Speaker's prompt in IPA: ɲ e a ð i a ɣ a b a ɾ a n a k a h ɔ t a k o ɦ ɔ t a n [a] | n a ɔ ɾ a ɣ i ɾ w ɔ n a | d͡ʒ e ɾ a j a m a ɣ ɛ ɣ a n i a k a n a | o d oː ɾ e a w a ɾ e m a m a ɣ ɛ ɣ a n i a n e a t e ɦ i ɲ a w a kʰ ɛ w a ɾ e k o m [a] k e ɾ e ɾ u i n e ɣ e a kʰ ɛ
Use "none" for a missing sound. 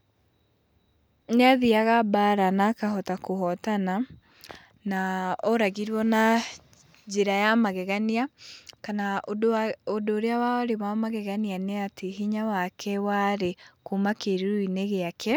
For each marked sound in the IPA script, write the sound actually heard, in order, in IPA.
a, a

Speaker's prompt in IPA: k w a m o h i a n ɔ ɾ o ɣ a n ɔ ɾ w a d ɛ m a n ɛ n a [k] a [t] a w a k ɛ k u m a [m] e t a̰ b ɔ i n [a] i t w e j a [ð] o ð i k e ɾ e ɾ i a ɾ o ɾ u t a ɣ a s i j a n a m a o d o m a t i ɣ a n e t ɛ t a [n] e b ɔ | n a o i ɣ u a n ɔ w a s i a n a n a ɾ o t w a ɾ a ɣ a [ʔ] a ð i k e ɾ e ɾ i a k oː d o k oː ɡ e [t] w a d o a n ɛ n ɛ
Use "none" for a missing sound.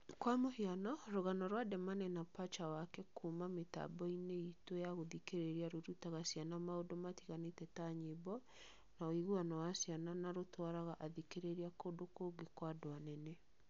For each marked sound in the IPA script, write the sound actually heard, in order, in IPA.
p, t͡ʃ, m, e, ɣ, ɲ, ʔ, k

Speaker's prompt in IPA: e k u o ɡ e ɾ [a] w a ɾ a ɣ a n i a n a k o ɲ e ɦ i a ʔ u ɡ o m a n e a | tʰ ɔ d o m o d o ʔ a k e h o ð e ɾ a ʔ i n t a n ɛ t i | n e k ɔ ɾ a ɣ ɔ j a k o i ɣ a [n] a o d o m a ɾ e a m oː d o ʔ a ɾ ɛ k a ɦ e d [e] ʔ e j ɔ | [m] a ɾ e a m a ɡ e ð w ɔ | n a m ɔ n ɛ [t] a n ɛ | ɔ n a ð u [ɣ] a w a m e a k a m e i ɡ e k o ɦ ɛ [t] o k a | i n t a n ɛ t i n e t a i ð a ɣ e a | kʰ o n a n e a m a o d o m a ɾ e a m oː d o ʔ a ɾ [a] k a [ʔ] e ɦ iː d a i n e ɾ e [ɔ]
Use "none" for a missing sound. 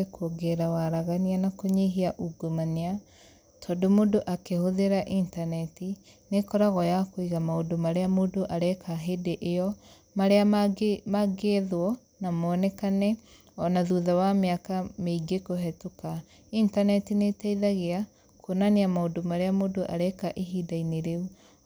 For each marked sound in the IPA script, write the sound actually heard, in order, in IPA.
a, m, e, m, k, ð, t, ɛ, ʔ, u

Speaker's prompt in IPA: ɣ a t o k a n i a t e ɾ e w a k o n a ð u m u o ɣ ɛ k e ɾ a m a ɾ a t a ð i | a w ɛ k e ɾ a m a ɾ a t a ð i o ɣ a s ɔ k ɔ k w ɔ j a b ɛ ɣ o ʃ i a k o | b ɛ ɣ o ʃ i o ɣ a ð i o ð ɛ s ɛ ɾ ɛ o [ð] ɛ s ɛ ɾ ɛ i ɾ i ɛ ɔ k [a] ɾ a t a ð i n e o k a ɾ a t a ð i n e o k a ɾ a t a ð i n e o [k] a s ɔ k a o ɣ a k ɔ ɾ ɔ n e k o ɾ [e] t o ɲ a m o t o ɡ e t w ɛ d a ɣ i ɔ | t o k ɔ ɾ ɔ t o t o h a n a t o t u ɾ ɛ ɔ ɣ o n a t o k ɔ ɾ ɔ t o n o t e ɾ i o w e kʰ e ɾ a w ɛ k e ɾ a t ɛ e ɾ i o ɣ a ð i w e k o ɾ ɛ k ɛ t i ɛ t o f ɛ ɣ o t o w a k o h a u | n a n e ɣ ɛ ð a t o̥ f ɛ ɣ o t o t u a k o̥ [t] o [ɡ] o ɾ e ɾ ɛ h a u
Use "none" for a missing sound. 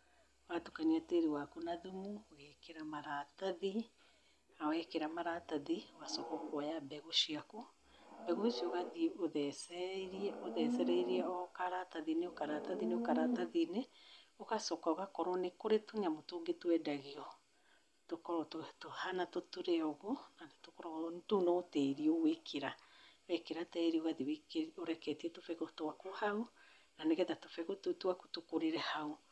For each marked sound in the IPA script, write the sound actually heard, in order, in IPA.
ð, a, k, e, t, k

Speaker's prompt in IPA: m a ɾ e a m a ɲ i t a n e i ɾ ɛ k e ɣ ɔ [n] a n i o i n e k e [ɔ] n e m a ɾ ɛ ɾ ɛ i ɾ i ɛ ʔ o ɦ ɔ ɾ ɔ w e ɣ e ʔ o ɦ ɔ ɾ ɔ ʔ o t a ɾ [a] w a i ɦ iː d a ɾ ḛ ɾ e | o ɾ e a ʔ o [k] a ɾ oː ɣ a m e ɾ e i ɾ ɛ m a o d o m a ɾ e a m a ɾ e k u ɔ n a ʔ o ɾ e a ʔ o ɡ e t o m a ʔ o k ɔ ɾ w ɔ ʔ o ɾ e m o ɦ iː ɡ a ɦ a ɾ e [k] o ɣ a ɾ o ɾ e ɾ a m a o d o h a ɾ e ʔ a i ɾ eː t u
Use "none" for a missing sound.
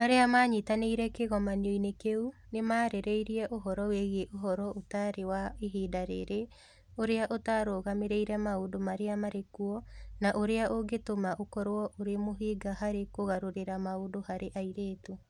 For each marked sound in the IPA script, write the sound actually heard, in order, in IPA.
m, u, e, t, k

